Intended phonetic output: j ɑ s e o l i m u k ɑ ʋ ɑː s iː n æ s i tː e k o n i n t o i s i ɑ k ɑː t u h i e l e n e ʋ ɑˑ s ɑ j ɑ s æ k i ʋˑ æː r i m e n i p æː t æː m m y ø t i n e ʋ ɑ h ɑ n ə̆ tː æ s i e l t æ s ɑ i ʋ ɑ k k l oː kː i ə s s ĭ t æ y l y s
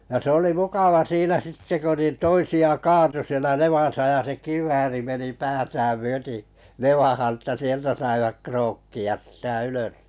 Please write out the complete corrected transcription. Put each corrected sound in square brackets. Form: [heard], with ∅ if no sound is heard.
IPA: j ɑ s e o l i m u k ɑ ʋ [ɑ] s iː n æ s i tː e k o n i n t o i s i ɑ k ɑː t u [s] i e l [æ] n e ʋ ɑˑ s ɑ j ɑ s [e] k i ʋˑ æː r i m e n i p æː t æː m m y ø t i n e ʋ ɑ h ɑ n ə̆ tː æ s i e l t æ s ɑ i ʋ ɑ k k [r] oː kː i [ɑ] s s ĭ t æ y l [ø] s